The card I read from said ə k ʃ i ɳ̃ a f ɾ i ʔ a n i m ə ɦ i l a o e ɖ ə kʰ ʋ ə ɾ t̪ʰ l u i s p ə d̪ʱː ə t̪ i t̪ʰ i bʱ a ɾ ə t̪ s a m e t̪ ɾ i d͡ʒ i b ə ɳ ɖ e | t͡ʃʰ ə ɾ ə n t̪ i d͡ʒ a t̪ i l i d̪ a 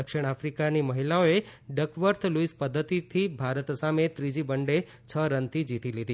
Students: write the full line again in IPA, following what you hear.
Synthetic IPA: ə k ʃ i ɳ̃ a f ɾ i k a n i m ə ɦ i l a o e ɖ ə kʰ ʋ ə ɾ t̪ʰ l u i s p ə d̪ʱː ə t̪ i t̪ʰ i bʱ a ɾ ə t̪ s a m e t̪ ɾ i d͡ʒ i b ə ɳ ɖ e | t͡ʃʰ ə ɾ ə n t̪ i d͡ʒ i t̪ i l i d̪ i

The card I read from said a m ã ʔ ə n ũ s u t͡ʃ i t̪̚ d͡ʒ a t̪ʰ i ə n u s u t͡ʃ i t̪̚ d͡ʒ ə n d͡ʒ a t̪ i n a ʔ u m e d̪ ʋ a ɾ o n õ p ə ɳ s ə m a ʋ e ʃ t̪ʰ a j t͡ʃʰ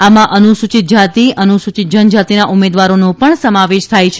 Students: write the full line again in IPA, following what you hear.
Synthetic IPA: a m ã ʔ ə n u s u t͡ʃ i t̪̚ d͡ʒ a t̪ i ə n u s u t͡ʃ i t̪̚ d͡ʒ ə n d͡ʒ a t̪ i n a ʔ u m e d̪ ʋ a ɾ o n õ p ə ɳ s ə m a ʋ e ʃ t̪ʰ a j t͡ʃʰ

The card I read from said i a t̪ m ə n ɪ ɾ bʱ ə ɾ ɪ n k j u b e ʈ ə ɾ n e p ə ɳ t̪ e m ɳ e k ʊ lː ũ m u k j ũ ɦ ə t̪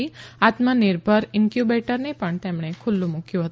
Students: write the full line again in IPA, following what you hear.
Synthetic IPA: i a t̪ m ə n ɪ ɾ bʱ ə ɾ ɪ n k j u b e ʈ ə ɾ n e p ə ɳ t̪ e m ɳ e kʰ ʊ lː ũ m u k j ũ ɦ ə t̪

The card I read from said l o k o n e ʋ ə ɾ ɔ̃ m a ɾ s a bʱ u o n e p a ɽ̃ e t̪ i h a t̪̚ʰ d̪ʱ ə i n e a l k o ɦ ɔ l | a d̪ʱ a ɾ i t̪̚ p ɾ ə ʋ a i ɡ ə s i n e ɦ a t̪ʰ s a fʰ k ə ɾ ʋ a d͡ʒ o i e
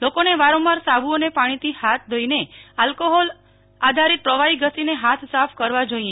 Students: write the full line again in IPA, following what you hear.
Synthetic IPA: l o k o n e ʋ a ɾ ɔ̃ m a ɾ s a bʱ u o n e p a ɽ̃ i t̪ i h a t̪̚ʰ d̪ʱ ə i n e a l k o ɦ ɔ l | a d̪ʱ a ɾ i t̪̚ p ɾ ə ʋ a i ɡ ə s i n e ɦ a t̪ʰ s a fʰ k ə ɾ ʋ a d͡ʒ o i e

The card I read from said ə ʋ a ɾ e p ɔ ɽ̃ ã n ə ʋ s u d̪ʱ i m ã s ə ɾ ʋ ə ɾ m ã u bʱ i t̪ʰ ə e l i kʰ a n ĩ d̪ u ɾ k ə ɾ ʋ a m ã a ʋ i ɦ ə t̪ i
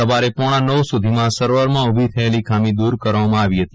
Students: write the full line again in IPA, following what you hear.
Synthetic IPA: ə ʋ a ɾ e p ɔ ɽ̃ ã n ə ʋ s u d̪ʱ i m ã s ə ɾ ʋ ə ɾ m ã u bʱ i t̪ʰ ə e l i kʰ a m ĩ d̪ u ɾ k ə ɾ ʋ a m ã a ʋ i ɦ ə t̪ i

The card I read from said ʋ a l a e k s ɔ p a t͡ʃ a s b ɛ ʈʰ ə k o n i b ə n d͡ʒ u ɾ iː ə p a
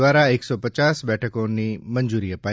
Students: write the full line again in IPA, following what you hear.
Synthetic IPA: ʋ a ɾ a e k s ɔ p ə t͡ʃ a s b ɛ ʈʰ ə k o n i m ə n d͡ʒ u ɾ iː ə p a

